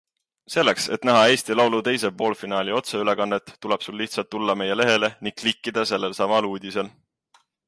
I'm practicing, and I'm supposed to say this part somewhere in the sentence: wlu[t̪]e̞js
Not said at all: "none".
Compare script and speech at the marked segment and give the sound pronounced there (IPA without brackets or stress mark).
t̪